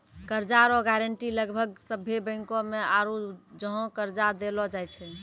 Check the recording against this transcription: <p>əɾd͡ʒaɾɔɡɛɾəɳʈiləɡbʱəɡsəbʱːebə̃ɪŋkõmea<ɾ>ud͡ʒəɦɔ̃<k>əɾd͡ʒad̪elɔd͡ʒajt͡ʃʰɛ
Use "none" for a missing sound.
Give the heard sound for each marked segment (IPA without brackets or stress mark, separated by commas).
k, ɾ, k